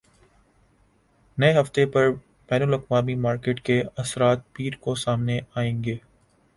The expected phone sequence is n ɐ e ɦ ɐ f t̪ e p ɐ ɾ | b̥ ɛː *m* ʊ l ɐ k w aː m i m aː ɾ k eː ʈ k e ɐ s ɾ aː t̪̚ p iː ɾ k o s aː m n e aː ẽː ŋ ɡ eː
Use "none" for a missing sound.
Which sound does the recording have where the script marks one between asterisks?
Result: n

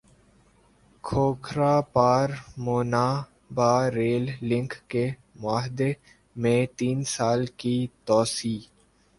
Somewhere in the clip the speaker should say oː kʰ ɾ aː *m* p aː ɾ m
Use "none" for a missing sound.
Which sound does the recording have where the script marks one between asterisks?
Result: none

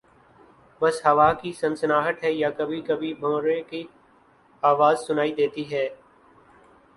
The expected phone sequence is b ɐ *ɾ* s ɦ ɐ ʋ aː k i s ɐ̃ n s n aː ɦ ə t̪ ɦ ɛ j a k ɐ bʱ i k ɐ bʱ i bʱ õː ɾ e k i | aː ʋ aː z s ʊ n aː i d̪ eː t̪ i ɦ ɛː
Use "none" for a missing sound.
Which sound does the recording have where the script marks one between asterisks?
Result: none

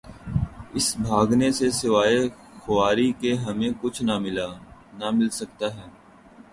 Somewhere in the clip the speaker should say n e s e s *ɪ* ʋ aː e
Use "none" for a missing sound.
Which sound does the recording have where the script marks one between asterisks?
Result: ɪ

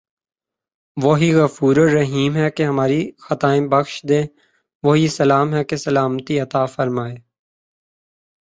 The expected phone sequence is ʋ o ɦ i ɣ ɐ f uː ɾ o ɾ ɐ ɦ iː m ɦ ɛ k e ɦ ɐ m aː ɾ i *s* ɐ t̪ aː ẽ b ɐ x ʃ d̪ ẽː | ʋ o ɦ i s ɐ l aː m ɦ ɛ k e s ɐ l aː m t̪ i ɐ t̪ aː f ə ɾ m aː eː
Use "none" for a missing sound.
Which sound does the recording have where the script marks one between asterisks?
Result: x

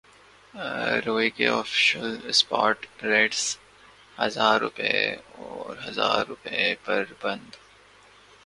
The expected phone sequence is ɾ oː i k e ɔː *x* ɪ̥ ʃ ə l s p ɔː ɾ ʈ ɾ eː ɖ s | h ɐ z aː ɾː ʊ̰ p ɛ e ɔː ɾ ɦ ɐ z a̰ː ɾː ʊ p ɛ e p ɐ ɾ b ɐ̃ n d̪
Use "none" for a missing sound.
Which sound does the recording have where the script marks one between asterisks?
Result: f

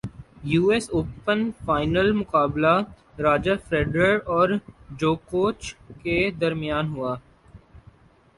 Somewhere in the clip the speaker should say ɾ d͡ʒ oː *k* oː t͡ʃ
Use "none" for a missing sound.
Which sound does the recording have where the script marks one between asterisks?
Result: k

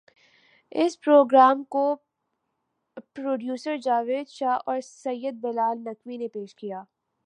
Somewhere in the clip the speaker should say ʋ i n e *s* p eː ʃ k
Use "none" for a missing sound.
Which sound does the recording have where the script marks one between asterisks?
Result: none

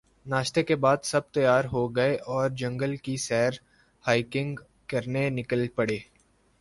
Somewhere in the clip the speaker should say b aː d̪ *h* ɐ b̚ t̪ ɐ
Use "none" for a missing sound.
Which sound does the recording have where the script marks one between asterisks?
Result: s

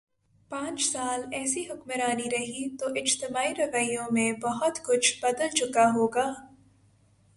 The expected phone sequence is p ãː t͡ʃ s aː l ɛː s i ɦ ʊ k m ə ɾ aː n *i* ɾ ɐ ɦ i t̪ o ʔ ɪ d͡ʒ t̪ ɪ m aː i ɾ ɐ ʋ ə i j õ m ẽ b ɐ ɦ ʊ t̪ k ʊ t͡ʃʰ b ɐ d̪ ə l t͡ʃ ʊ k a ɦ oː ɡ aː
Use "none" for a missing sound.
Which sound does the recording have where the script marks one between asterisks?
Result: i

